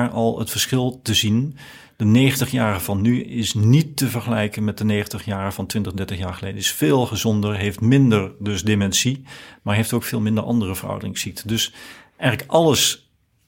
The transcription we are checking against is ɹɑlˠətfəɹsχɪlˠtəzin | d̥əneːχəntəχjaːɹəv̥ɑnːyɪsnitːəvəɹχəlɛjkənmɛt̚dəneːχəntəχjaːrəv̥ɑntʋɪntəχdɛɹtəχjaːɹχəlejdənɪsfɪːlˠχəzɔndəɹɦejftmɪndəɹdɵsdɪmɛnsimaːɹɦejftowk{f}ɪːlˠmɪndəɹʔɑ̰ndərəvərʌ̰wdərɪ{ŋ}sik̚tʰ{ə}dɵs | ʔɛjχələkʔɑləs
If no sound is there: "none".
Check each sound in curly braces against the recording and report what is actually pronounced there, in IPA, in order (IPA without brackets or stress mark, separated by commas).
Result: f, ŋ, ə